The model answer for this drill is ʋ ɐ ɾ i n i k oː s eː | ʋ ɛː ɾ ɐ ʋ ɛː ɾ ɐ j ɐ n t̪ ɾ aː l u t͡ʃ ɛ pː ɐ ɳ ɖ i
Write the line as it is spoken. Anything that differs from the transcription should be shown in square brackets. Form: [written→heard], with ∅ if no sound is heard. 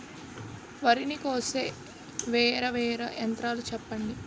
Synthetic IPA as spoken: ʋ ɐ ɾ i n i k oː s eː | ʋ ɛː ɾ ɐ ʋ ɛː ɾ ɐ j ɐ n t̪ ɾ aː l u t͡ʃ ɛ pː ɐ ɳ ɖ i